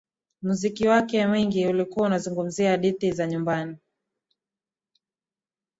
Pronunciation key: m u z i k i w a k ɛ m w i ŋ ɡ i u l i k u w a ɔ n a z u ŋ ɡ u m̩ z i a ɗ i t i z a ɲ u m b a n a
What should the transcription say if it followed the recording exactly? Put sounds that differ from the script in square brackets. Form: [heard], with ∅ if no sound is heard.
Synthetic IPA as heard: m u z i k i w a k ɛ m w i ŋ ɡ i u l i k u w a [u] n a z u ŋ ɡ u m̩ z i a ɗ i t i z a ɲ u m b a n [i]

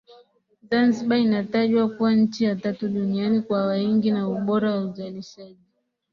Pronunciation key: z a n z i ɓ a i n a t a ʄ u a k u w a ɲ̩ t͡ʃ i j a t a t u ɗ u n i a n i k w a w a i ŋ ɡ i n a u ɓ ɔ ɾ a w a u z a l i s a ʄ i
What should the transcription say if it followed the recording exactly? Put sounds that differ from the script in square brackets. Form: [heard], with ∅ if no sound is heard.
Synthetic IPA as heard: z a n z i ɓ a i n a t a ʄ [w] a k u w a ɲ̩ t͡ʃ i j a t a t u ɗ u n i a n i k w a w a i ŋ ɡ i n a u ɓ ɔ ɾ a w a u z a l i [ʃ] a ʄ i

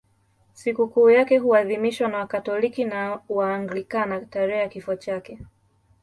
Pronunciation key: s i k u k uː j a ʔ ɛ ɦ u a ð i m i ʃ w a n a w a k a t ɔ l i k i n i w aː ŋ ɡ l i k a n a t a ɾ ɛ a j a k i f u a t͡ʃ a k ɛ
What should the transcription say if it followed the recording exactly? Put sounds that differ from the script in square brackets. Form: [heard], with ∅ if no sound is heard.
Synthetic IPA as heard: s i k u k uː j a [k] ɛ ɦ u a ð i m i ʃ w a n a w a k a t ɔ l i k i n [a] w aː ŋ ɡ l i k a n a t a ɾ ɛ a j a k i f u a t͡ʃ a k ɛ

